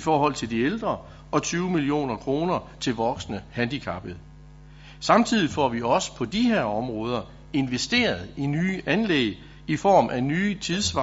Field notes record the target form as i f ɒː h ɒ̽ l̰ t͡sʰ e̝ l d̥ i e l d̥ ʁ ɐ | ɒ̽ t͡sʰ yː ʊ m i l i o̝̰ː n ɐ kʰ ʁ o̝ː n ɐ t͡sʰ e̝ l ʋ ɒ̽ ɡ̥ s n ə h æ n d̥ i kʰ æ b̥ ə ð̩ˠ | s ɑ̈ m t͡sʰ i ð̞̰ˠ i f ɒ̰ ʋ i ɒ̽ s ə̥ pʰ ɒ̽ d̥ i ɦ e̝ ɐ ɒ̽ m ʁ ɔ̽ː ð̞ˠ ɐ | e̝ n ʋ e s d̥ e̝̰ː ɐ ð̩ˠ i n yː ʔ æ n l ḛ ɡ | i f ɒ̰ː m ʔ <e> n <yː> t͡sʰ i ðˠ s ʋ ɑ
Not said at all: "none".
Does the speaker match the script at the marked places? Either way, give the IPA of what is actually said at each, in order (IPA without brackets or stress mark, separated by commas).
æ, yː